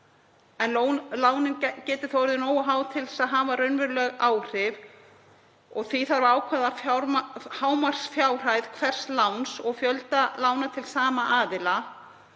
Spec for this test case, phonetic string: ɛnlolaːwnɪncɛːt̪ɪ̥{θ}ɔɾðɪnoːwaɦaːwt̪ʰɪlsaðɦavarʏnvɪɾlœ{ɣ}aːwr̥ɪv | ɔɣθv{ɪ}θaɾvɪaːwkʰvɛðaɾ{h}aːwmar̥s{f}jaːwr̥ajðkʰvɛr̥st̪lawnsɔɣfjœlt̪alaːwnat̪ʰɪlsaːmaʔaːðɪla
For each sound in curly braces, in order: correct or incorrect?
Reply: correct, correct, incorrect: i, correct, correct

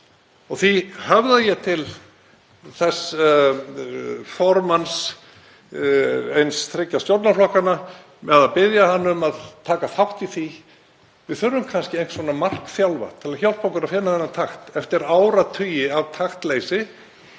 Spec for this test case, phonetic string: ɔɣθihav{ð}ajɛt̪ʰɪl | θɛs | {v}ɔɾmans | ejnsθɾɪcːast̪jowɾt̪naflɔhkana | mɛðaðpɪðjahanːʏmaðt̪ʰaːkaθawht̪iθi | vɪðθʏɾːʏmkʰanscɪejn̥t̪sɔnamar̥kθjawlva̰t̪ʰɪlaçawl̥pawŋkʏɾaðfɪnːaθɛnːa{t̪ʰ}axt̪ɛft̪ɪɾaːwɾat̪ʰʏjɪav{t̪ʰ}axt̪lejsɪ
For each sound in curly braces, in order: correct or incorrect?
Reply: correct, incorrect: f, correct, correct

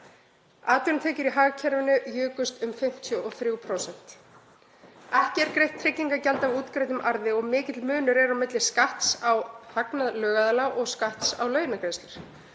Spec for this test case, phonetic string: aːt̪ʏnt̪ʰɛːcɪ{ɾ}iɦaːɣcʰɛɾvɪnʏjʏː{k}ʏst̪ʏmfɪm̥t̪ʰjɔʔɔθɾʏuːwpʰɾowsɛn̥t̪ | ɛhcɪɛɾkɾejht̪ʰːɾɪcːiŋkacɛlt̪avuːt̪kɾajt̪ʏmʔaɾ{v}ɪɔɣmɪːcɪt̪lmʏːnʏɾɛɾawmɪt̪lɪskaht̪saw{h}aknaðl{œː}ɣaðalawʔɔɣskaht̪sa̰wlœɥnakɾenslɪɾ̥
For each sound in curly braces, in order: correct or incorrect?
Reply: correct, correct, incorrect: ð, correct, correct

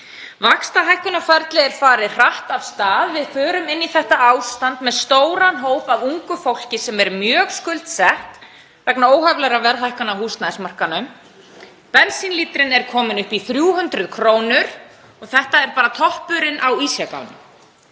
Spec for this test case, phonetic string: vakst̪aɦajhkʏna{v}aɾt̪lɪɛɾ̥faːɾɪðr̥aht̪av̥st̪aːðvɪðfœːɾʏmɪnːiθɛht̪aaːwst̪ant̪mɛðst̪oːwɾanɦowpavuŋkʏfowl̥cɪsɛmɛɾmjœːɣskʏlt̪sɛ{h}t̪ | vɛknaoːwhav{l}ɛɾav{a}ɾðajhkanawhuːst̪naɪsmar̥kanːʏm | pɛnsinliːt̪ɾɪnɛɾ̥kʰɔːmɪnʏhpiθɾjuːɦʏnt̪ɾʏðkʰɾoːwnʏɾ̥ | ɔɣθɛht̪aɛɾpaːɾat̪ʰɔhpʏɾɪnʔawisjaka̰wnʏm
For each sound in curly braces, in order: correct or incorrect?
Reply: incorrect: f, correct, correct, incorrect: ɛ

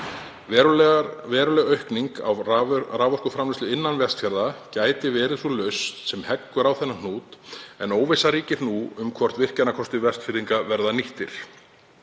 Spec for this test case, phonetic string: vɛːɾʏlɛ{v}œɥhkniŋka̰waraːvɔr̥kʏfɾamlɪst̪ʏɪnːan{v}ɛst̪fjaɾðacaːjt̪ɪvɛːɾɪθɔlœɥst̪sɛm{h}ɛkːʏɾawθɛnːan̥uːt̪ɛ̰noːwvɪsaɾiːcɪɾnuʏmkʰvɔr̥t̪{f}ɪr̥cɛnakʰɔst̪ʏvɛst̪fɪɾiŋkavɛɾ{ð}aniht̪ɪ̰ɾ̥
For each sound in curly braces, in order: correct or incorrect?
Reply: incorrect: ɣ, correct, correct, incorrect: v, correct

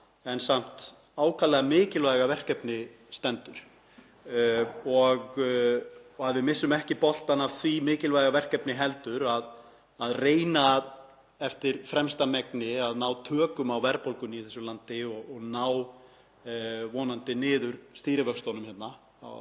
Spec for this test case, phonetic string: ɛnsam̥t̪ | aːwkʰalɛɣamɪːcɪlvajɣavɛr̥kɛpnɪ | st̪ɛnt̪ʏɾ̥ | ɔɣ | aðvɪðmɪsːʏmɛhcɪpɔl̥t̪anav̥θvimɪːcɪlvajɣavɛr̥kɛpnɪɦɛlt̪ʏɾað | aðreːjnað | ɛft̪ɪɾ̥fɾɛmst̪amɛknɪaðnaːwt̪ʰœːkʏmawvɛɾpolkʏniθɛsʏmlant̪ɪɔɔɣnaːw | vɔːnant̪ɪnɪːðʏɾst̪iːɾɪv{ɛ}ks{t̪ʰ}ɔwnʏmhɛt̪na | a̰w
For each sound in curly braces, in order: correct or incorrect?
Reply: incorrect: œ, incorrect: t̪

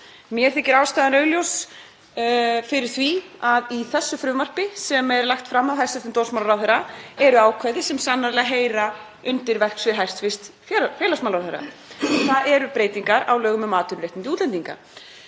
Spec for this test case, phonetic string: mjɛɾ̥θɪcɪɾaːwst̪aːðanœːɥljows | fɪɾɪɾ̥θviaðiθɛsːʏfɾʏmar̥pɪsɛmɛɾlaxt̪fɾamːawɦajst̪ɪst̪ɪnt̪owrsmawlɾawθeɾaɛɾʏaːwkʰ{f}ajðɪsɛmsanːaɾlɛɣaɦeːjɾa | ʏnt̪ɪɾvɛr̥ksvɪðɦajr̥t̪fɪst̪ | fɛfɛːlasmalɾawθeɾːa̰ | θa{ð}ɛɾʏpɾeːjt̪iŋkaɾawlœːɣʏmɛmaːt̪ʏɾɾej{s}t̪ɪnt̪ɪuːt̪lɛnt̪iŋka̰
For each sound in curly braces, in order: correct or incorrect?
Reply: incorrect: v, correct, incorrect: h

